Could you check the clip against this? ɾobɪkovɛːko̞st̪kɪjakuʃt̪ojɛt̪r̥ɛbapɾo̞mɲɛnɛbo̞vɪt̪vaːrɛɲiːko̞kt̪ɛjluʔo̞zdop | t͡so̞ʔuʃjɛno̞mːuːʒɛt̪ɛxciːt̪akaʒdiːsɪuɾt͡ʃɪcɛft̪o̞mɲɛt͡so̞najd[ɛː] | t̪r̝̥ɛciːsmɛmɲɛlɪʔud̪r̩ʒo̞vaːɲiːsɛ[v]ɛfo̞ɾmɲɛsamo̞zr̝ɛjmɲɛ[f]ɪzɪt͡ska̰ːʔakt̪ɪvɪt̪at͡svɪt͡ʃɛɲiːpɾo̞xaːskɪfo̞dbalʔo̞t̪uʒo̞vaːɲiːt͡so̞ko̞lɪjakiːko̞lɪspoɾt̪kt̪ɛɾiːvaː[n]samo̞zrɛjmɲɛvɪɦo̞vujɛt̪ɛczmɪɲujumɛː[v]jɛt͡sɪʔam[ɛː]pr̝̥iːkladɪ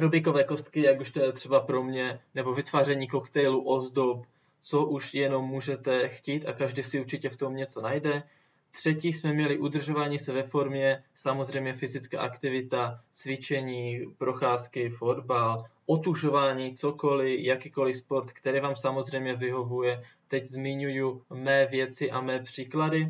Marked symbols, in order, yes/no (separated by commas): no, yes, yes, no, yes, yes